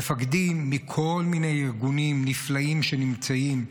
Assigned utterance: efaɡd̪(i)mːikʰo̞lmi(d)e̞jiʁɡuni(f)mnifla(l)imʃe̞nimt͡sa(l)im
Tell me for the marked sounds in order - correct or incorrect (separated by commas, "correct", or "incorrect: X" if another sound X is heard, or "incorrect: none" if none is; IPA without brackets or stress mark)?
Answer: correct, incorrect: n, incorrect: none, incorrect: none, incorrect: none